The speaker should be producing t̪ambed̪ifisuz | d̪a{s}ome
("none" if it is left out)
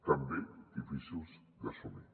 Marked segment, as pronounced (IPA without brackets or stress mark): s